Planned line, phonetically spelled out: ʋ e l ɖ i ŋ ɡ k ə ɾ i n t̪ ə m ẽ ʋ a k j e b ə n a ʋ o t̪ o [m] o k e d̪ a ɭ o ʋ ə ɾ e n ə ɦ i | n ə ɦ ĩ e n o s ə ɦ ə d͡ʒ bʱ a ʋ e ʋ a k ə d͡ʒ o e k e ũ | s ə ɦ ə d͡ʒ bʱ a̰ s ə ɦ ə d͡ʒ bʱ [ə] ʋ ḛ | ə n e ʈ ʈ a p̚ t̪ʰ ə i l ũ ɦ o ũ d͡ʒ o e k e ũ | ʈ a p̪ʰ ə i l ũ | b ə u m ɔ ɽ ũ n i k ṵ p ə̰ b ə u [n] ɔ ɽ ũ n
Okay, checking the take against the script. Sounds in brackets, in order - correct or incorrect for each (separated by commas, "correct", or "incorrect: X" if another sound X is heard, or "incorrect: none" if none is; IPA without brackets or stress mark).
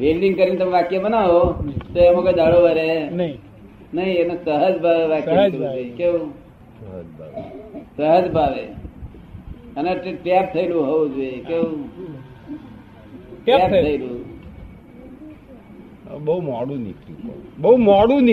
correct, incorrect: a, incorrect: m